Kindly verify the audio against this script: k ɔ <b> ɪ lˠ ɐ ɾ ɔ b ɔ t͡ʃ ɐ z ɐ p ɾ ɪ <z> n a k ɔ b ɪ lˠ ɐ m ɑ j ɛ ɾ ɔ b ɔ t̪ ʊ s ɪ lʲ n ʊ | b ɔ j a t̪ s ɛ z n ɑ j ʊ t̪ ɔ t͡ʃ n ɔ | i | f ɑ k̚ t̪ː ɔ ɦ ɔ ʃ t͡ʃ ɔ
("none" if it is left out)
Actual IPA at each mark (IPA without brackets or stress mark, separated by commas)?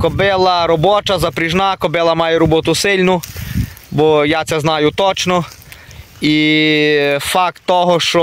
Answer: b, ʒ